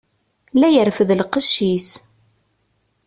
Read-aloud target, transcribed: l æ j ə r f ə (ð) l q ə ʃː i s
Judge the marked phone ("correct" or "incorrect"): correct